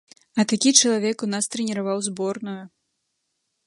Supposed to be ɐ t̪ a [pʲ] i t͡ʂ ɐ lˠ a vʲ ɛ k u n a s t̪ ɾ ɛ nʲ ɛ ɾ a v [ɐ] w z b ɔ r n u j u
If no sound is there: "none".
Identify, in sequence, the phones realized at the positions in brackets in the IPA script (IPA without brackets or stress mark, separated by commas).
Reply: kʲ, a